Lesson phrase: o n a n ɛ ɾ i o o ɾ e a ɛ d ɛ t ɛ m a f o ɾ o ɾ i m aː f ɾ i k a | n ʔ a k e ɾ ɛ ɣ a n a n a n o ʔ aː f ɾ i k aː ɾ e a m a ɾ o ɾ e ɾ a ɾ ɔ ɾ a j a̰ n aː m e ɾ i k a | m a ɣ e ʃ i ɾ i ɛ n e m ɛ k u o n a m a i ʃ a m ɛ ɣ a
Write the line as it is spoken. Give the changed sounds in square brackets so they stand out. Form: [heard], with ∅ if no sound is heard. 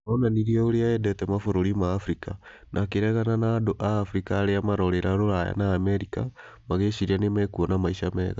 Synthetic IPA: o n a n [i] ɾ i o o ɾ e a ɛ d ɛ t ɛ m a f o ɾ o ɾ i m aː f ɾ i k a | n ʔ a k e ɾ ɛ ɣ a n a n a [d] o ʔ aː f ɾ i k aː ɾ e a m a ɾ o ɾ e ɾ a ɾ [o] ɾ a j a̰ n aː m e ɾ i k a | m a ɣ e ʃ i ɾ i [a] n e m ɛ k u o n a m a i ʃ a m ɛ ɣ a